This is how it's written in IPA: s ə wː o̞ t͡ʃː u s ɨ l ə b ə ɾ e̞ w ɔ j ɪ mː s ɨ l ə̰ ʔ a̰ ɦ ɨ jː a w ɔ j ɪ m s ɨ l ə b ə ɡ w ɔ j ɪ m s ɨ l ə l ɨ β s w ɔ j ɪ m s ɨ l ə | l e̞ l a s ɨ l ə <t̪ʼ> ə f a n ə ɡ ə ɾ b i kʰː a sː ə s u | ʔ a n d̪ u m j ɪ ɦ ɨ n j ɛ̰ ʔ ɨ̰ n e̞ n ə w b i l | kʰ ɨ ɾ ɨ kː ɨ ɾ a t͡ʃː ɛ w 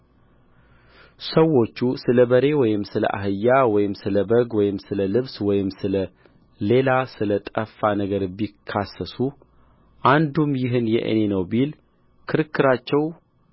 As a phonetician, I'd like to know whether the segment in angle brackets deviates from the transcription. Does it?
no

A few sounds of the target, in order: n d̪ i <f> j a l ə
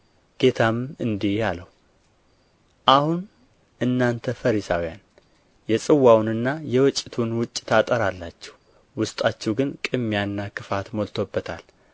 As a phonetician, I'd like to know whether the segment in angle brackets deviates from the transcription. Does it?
yes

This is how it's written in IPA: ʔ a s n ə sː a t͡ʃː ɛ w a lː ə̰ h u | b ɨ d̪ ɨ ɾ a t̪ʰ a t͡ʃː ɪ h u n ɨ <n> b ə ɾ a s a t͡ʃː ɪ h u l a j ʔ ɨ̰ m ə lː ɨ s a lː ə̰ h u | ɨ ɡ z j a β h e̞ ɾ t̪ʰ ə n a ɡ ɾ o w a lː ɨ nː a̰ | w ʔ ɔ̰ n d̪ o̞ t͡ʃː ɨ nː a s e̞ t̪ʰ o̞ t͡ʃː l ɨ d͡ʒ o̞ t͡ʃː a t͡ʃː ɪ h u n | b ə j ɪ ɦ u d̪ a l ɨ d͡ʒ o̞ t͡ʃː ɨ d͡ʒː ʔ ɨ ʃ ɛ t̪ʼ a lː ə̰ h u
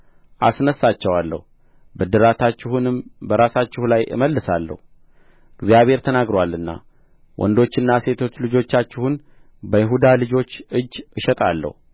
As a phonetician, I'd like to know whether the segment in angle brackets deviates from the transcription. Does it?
yes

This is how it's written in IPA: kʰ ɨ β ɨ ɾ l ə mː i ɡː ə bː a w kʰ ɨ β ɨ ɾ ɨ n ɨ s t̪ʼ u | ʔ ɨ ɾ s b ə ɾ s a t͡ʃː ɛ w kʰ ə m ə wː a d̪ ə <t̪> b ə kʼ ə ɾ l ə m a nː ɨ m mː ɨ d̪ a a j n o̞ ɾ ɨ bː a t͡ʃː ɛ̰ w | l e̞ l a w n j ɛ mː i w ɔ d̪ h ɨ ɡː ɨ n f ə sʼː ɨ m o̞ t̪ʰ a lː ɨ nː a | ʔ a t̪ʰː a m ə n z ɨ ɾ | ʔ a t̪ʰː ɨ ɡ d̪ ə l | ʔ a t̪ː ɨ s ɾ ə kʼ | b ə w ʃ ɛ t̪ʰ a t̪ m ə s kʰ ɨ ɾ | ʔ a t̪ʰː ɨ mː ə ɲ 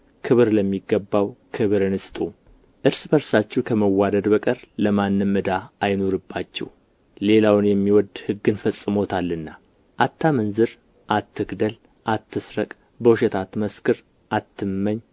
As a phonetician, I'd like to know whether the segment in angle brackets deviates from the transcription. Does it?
yes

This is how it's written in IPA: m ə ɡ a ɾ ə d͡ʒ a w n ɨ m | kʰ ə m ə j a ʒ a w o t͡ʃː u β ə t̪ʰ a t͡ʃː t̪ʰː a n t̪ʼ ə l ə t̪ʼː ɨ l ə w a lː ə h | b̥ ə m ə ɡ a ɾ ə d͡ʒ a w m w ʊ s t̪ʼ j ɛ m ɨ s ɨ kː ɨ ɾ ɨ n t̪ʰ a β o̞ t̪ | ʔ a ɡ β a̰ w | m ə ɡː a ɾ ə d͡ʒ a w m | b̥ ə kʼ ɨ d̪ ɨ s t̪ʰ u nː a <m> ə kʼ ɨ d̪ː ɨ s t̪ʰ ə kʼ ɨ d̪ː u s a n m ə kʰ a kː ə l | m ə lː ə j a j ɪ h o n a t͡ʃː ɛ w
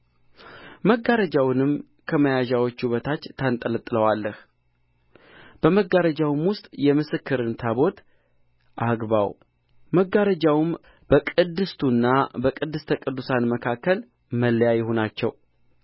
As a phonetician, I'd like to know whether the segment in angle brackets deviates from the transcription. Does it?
yes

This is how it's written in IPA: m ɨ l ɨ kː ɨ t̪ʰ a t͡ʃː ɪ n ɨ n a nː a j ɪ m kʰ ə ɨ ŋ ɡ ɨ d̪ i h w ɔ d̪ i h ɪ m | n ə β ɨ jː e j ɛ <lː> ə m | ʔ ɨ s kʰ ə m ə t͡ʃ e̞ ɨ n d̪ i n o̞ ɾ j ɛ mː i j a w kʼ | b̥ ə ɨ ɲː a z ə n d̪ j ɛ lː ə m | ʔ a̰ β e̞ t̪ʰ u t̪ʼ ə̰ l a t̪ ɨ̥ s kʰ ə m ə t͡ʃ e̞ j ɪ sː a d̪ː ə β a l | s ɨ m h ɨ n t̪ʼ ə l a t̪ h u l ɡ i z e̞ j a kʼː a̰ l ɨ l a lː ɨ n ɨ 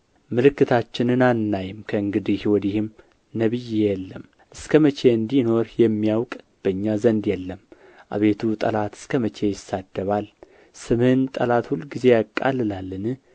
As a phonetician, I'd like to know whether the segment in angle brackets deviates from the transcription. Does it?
no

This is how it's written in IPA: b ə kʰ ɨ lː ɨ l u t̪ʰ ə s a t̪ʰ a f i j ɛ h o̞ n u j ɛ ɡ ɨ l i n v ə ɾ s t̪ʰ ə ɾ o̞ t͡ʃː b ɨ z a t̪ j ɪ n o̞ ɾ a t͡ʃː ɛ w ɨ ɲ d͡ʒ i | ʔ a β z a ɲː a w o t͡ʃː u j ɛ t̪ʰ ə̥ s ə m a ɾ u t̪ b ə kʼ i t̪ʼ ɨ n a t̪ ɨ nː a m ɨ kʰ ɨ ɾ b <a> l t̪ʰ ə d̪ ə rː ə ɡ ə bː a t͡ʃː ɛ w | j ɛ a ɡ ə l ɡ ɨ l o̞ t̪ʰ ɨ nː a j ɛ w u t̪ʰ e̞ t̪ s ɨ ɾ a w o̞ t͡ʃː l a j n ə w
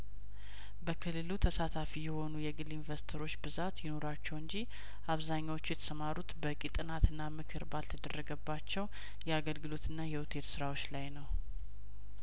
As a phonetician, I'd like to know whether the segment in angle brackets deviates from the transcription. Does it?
no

